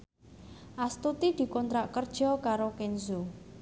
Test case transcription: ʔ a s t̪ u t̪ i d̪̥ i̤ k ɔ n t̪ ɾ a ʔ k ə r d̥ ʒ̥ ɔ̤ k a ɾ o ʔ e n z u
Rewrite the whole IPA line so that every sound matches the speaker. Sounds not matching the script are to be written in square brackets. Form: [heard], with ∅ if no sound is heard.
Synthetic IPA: ʔ a s t̪ u t̪ i d̪̥ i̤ k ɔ n t̪ ɾ a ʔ k ə r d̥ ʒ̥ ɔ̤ k a ɾ o [k] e n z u